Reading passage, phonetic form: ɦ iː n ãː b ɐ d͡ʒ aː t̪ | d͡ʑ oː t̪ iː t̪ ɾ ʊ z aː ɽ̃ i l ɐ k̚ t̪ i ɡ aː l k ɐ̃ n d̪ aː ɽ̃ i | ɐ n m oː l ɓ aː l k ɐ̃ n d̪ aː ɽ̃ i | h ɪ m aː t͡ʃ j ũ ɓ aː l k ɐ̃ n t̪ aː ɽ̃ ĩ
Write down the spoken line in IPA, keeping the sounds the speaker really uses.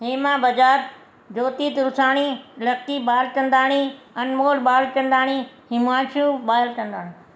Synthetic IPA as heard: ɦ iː m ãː b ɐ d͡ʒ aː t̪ | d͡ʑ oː t̪ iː t̪ ɾ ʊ s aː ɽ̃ i l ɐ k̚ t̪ i b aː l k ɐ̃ n d̪ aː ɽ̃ i | ɐ n m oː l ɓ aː l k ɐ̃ n d̪ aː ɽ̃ i | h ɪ m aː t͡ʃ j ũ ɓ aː l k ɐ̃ n d̪ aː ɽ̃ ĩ